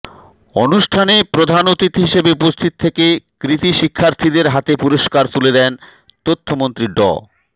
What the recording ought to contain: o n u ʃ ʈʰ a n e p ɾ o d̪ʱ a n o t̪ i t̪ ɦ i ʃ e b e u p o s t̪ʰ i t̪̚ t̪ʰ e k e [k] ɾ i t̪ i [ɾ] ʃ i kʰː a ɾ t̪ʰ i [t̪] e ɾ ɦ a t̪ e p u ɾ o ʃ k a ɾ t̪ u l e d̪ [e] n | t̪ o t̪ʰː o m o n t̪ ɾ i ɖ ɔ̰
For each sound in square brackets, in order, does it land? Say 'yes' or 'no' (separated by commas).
yes, no, no, no